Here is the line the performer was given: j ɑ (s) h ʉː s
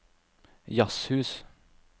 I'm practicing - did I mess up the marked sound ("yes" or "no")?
no